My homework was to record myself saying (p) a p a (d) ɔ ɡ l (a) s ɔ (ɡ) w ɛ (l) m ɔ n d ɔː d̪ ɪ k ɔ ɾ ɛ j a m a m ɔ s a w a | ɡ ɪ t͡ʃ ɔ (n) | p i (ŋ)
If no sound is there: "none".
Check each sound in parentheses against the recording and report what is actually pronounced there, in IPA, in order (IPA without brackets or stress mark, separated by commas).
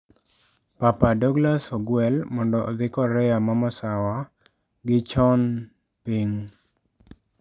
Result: p, d, a, ɡ, l, n, ŋ